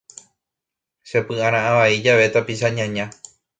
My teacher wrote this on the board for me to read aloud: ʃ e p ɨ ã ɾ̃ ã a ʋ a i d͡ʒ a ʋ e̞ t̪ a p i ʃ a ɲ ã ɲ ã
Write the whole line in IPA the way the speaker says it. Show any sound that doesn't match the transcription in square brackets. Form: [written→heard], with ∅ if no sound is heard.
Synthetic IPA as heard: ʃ e p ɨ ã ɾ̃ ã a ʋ a i d͡ʒ a ʋ e̞ t̪ a p i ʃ a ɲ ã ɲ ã